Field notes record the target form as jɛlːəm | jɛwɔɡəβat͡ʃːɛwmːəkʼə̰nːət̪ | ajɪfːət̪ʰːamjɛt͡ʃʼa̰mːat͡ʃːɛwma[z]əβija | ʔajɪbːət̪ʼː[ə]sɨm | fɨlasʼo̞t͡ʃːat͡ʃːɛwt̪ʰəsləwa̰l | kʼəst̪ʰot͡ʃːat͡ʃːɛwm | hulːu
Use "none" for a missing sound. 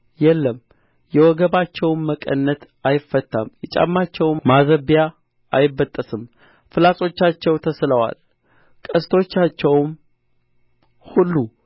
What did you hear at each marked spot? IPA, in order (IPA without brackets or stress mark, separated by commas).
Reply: z, ə